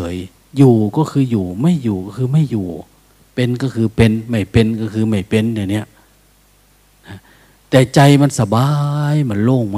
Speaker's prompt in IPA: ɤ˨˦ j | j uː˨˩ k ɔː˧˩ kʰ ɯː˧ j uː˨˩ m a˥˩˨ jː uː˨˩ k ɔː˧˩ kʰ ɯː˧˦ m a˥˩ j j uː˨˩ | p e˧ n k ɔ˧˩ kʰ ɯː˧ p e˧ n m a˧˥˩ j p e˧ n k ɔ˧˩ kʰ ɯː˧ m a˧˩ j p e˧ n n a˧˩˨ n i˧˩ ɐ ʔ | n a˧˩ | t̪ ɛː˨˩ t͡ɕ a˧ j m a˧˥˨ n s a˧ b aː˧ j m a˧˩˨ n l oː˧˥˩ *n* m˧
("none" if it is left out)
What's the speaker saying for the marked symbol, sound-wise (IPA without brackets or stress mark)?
ŋ